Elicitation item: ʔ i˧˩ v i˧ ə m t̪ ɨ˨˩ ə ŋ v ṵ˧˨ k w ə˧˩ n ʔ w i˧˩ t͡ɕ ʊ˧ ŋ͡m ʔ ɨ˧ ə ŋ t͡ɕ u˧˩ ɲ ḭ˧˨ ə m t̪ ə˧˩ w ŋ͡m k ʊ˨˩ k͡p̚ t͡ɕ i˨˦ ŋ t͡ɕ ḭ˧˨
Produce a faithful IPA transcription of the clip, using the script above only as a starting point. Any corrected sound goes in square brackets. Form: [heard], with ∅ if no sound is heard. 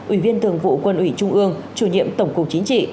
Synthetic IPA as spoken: ʔ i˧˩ v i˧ ə [n] t̪ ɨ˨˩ ə ŋ v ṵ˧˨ k w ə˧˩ n ʔ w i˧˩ t͡ɕ ʊ˧ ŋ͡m ʔ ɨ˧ ə ŋ t͡ɕ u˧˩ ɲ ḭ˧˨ ə m t̪ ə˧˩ w ŋ͡m k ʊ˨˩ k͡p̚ t͡ɕ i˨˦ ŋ t͡ɕ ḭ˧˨